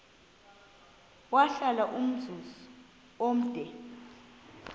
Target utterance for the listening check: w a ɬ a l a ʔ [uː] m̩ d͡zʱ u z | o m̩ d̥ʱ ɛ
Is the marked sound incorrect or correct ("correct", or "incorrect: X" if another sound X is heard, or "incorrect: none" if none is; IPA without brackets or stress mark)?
incorrect: u